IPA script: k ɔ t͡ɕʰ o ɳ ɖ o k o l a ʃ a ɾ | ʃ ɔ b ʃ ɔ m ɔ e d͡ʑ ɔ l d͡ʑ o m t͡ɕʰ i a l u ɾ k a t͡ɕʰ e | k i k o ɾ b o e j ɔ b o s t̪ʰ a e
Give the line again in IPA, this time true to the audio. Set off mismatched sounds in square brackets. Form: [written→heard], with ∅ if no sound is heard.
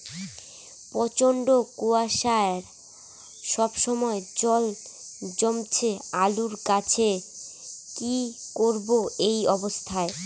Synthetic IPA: [k→p] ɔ [t͡ɕʰ→t͡ɕ] o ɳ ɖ o k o [l→∅] a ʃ a ɾ | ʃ ɔ b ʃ ɔ m ɔ e d͡ʑ ɔ l d͡ʑ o m t͡ɕʰ [i→e] a l u ɾ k a t͡ɕʰ e | k i k o ɾ b o e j ɔ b o s t̪ʰ a e